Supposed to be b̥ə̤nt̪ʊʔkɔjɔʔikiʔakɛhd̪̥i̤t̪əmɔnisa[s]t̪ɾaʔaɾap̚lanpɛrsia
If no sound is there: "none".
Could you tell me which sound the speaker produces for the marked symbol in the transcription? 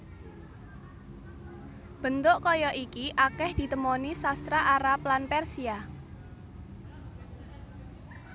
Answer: s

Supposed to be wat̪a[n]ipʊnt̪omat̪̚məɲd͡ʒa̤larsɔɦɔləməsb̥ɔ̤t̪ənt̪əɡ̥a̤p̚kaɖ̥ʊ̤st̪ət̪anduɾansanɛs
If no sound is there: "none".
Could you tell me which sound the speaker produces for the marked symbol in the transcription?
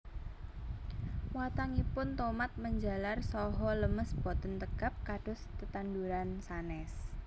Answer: ŋ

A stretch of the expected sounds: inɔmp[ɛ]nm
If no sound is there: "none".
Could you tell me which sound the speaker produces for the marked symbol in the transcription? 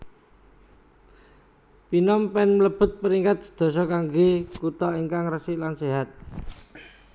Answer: ɛ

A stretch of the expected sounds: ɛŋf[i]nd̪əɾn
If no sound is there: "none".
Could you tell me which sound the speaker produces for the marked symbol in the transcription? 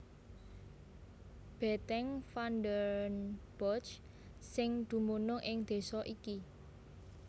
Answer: a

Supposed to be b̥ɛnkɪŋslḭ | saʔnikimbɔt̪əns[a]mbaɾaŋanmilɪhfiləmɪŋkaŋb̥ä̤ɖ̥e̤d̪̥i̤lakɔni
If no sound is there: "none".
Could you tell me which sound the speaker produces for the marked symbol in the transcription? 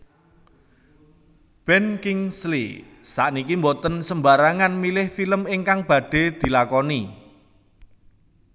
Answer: ə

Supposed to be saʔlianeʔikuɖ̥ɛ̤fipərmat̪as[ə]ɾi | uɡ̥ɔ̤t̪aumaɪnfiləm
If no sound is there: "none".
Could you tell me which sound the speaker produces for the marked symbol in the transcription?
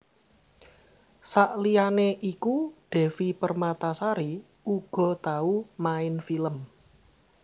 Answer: a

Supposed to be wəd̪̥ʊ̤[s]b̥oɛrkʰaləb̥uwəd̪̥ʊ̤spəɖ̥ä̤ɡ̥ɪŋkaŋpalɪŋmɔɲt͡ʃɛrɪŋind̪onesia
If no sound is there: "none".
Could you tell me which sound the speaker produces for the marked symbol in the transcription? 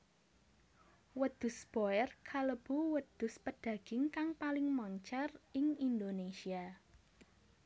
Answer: s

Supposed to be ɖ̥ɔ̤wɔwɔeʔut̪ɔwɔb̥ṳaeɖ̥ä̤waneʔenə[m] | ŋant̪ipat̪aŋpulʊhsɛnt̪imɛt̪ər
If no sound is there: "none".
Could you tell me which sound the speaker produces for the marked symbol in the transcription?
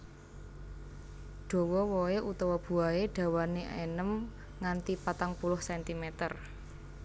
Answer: m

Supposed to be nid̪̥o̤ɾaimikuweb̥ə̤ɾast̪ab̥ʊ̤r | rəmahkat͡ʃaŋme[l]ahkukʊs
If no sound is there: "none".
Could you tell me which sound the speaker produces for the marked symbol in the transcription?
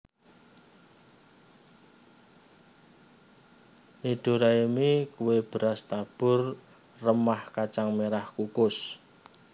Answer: ɾ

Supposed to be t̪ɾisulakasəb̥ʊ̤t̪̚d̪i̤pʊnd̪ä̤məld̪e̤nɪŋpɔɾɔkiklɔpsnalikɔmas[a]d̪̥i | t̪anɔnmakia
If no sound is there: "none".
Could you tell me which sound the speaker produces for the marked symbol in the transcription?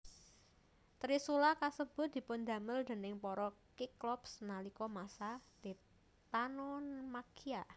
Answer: a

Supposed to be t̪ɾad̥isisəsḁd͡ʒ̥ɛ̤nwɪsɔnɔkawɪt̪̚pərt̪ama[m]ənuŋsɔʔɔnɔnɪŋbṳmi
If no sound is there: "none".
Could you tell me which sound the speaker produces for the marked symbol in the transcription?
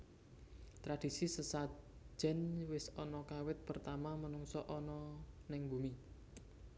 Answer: m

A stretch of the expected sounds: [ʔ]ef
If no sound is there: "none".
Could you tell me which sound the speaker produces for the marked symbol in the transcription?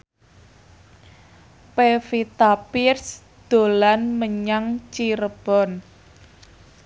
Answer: p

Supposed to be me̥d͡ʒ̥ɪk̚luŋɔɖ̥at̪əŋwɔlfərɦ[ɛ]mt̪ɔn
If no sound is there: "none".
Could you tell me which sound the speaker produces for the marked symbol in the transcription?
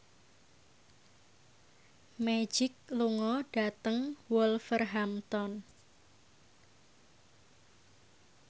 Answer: a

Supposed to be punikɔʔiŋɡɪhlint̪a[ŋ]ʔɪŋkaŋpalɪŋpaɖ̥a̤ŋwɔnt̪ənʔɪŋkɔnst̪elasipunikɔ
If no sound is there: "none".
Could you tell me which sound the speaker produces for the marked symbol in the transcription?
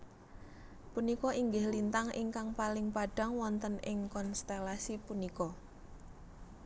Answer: ŋ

